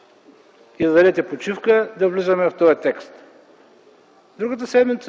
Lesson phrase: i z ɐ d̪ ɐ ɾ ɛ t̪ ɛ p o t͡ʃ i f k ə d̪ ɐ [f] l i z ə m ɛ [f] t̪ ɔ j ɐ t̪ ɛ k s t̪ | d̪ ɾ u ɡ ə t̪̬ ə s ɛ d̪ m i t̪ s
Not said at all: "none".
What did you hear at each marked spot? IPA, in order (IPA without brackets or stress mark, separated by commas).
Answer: v, f